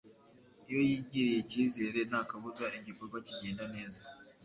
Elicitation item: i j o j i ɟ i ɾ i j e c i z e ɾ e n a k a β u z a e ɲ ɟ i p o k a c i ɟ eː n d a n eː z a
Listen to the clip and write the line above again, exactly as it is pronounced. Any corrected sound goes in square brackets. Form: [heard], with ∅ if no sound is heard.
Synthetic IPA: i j o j i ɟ i ɾ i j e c i z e ɾ e n a k a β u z a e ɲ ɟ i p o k a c i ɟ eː n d a n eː z a